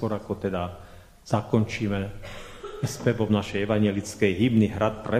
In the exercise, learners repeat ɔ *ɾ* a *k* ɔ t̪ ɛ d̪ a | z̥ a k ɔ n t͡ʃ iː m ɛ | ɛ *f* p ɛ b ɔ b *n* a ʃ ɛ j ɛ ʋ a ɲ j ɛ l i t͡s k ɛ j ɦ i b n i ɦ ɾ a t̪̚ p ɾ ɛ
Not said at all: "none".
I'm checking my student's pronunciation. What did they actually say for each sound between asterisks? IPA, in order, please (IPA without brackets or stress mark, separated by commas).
ɾ, k, s, n